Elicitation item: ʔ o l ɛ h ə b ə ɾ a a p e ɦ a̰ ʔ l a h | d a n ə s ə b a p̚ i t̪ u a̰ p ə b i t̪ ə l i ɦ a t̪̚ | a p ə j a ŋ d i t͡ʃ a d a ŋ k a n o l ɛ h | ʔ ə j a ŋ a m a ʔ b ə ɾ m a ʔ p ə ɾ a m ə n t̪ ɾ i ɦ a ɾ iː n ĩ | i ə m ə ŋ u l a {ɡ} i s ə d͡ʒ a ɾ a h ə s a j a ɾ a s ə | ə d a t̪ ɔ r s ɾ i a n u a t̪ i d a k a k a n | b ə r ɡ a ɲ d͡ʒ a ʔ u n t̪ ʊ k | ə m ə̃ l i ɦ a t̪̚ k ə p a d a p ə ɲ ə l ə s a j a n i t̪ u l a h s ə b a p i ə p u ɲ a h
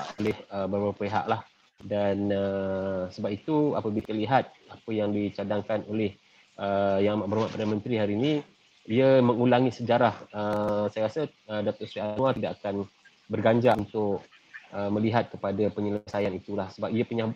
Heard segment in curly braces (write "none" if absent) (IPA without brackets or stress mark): ŋ